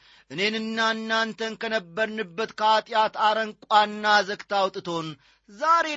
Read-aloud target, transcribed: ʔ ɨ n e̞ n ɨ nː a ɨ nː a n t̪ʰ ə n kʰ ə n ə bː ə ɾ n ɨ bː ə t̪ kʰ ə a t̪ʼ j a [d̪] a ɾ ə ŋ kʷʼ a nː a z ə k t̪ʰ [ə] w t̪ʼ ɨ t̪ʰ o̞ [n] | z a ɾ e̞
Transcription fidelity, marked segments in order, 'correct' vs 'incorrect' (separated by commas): incorrect, incorrect, correct